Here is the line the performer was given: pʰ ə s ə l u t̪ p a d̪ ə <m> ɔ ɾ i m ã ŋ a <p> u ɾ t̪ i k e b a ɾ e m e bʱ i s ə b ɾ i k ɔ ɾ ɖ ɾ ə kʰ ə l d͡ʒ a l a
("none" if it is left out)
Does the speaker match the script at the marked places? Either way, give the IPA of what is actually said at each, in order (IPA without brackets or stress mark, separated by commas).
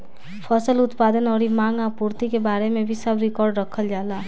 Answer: n, p